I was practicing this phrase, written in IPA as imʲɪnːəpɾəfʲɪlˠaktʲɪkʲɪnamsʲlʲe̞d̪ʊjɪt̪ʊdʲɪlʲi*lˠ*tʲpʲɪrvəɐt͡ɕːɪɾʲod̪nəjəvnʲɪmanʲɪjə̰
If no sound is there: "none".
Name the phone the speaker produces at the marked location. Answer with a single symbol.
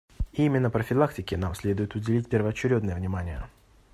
none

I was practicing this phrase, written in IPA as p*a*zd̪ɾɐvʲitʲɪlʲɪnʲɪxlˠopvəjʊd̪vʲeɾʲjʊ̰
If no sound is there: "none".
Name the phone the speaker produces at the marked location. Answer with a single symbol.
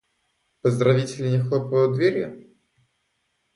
ə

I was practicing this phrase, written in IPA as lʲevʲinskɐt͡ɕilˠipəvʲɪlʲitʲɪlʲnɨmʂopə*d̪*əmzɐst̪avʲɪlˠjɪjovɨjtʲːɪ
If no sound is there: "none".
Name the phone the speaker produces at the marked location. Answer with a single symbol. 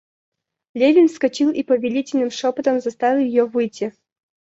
t̪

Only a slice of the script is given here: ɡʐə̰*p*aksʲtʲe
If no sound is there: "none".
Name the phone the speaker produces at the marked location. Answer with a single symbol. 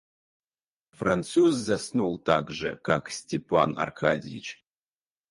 k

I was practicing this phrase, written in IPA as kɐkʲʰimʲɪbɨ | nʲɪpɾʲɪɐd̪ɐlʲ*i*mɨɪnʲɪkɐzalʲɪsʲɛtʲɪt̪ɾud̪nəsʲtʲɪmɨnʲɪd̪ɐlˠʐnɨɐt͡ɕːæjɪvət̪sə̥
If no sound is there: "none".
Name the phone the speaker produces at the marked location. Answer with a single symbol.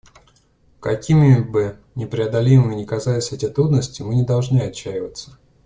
i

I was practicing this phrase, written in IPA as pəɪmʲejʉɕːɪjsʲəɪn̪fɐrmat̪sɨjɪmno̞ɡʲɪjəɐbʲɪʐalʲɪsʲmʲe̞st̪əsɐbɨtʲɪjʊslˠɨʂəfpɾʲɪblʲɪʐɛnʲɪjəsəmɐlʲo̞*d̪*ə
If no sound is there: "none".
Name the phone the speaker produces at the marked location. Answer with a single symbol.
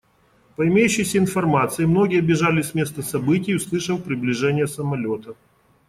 t̪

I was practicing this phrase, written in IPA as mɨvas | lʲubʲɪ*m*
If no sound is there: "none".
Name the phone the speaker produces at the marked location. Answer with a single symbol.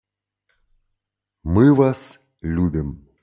m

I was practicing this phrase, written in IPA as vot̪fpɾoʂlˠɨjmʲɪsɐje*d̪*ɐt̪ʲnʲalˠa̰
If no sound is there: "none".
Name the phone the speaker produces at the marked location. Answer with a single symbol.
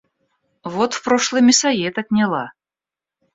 t̪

